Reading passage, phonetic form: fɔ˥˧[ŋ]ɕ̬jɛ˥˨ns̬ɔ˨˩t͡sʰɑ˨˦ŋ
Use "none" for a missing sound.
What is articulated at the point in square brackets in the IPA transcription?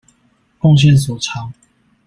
ŋ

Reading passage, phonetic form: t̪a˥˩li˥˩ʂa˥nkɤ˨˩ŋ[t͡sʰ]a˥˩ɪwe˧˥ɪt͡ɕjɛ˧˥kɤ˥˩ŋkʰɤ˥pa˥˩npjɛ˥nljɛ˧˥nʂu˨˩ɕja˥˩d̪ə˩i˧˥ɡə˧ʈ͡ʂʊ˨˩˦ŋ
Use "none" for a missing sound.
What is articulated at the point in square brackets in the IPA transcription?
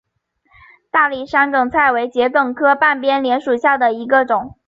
t͡sʰ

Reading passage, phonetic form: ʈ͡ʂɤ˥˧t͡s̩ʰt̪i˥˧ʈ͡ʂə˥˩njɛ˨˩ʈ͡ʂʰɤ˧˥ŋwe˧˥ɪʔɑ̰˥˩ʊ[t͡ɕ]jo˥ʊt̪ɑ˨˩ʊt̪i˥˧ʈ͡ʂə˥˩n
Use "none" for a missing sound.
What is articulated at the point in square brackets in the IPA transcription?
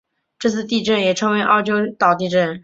t͡ɕ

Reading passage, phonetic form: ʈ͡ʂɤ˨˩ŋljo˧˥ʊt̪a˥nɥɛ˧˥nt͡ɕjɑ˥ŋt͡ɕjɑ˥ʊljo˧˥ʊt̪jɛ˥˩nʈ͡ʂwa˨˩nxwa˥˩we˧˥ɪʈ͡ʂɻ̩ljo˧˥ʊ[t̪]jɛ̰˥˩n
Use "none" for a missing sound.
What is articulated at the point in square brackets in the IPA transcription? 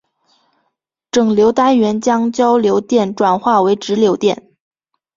t̪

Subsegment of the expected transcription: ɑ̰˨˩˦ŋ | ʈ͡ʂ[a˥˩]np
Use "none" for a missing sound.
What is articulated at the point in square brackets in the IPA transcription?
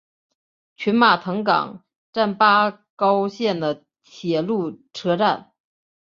a˥˩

